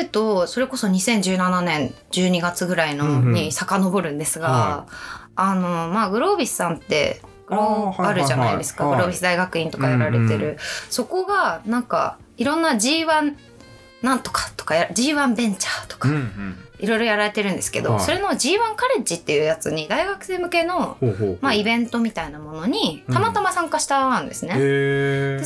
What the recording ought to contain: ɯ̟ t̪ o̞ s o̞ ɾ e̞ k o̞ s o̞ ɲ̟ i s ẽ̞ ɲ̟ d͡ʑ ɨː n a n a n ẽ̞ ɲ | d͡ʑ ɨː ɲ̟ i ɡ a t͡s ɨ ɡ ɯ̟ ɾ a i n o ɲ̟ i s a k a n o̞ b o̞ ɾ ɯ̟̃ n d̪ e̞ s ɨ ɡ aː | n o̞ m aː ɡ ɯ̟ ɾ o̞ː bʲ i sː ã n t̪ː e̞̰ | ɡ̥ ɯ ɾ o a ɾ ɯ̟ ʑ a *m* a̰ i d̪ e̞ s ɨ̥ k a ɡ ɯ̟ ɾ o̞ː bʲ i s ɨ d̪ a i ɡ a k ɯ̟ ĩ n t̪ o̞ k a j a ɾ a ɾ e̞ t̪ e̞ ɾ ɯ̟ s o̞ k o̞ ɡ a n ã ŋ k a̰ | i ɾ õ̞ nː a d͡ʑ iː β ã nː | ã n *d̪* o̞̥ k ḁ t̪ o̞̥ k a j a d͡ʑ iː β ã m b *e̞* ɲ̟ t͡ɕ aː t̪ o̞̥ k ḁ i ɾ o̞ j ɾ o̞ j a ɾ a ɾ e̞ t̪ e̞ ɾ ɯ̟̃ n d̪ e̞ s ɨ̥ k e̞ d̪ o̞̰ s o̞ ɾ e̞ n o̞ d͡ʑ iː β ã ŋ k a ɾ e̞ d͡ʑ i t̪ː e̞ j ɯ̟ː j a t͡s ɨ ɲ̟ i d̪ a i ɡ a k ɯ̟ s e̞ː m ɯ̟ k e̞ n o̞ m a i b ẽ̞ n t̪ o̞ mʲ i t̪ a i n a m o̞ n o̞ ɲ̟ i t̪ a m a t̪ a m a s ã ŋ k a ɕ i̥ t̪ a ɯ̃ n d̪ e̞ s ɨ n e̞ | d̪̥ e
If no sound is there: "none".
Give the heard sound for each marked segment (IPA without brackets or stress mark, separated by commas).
n, t̪, ẽ̞